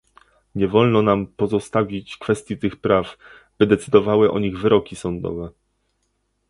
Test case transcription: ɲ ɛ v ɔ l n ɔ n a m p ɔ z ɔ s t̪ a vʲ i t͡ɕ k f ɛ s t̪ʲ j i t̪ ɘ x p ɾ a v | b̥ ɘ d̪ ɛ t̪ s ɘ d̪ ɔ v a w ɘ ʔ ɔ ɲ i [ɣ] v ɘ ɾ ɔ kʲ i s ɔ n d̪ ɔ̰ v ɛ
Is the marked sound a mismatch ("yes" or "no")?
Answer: no